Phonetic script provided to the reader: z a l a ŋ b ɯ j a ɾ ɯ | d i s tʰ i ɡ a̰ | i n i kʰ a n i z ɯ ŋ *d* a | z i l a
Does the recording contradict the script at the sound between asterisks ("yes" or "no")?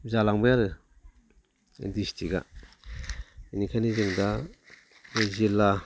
no